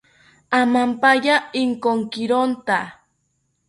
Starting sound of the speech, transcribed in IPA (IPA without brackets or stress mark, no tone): a